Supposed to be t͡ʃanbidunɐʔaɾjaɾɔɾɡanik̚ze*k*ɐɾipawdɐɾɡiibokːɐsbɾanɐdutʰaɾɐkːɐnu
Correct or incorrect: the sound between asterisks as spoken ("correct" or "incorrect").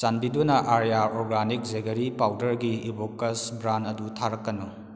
incorrect